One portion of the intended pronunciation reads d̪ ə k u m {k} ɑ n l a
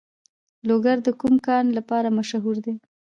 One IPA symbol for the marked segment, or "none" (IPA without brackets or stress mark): k